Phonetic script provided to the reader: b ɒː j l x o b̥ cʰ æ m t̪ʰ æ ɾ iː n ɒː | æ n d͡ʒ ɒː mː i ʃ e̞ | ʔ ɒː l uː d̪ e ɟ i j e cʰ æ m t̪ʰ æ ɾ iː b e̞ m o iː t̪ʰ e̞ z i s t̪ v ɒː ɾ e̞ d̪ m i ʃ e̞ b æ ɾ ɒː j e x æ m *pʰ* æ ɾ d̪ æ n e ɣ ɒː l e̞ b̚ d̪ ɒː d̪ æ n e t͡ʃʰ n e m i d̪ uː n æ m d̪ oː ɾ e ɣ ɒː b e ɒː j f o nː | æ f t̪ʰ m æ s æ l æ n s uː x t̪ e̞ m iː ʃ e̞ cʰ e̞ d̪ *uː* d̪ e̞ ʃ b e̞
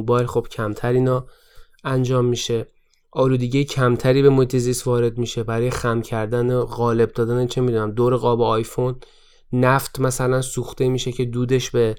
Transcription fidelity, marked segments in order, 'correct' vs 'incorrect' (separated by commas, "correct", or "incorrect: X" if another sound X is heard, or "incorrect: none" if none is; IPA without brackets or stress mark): incorrect: cʰ, correct